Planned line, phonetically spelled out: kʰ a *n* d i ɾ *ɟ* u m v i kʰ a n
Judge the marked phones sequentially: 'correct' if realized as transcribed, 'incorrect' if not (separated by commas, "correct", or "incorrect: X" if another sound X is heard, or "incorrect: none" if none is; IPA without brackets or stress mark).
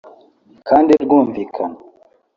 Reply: correct, incorrect: ɡ